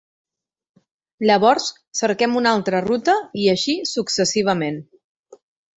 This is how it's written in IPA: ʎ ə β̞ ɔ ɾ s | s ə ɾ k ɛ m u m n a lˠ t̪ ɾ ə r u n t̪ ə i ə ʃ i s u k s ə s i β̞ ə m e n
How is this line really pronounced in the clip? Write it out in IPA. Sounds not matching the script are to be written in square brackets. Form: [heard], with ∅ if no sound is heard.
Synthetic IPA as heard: ʎ ə β̞ ɔ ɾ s | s ə ɾ k ɛ m u [∅] n a lˠ t̪ ɾ ə r u [∅] t̪ ə i ə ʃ i s u k s ə s i β̞ ə m e n